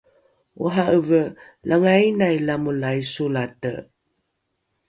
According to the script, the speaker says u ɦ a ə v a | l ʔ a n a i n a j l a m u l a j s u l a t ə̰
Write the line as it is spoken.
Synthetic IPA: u ɦ a ə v ə | l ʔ a ŋ a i n a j l a m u l a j s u l a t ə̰